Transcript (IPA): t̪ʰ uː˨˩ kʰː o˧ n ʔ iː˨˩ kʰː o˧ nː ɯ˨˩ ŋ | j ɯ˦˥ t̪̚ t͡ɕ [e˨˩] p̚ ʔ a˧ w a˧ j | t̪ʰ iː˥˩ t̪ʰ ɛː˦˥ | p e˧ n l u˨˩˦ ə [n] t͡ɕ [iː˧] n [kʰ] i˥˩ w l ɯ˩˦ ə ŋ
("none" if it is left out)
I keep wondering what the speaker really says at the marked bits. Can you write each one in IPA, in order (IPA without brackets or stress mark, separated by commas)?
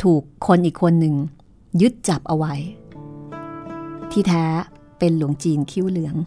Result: a˨˩, ŋ, iː˧, kʰ